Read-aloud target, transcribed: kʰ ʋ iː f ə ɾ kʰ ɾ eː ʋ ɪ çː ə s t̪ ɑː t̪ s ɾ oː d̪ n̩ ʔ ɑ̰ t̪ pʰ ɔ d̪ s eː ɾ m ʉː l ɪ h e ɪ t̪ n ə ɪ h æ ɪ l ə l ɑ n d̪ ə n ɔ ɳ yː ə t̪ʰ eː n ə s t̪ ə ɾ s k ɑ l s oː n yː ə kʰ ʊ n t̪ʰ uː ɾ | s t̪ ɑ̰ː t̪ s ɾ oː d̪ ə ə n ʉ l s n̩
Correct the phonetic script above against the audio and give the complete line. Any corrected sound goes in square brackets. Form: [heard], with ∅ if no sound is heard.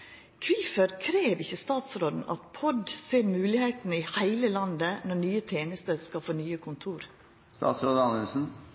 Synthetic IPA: kʰ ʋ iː f ə ɾ kʰ ɾ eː ʋ ɪ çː ə s t̪ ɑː t̪ s ɾ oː d̪ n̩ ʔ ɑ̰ t̪ pʰ ɔ d̪ s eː ɾ m ʉː l ɪ h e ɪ t̪ n ə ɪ h æ ɪ l ə l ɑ n d̪ ə n ɔ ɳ yː ə t̪ʰ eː n ə s t̪ ə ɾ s k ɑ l [f] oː n yː ə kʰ ʊ n t̪ʰ uː ɾ | s t̪ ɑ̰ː t̪ s ɾ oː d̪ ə [ɑ] n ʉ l s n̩